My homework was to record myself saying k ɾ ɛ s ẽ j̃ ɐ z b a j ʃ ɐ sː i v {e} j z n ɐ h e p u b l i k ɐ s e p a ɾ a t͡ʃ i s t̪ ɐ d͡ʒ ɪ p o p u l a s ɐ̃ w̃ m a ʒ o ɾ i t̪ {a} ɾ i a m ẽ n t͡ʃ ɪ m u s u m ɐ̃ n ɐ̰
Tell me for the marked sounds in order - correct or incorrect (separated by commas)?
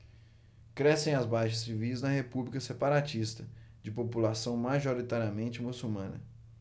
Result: incorrect, correct